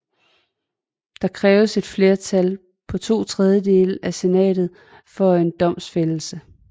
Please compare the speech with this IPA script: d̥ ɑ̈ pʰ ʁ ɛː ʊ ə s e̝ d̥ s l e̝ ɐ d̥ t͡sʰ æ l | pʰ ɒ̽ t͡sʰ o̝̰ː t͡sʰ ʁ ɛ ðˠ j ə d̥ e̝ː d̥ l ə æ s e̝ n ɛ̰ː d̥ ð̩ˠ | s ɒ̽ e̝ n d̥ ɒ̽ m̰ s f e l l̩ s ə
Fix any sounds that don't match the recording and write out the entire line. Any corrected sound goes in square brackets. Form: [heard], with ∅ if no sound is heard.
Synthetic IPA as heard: d̥ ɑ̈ [kʰ] ʁ ɛː ʊ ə s e̝ d̥ [f] l e̝ ɐ [∅] t͡sʰ æ l | pʰ ɒ̽ t͡sʰ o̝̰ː t͡sʰ ʁ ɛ ðˠ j ə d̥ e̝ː [∅] l ə æ s e̝ n ɛ̰ː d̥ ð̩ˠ | [f] ɒ̽ e̝ n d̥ ɒ̽ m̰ s f e l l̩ s ə